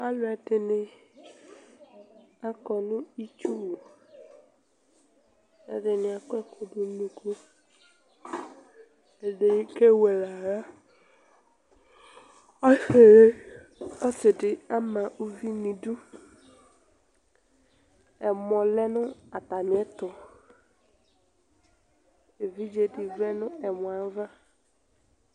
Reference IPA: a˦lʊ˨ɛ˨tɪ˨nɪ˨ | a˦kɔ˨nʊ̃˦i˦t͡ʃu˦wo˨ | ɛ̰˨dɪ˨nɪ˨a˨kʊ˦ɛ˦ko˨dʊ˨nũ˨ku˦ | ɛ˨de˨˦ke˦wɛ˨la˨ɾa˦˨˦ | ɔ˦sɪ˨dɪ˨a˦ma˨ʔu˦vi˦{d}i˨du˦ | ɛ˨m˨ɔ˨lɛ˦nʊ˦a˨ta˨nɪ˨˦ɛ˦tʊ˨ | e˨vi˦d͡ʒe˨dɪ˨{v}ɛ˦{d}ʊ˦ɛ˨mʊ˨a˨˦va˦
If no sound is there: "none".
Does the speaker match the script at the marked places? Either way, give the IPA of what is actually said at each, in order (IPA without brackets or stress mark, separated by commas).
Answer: n, v, n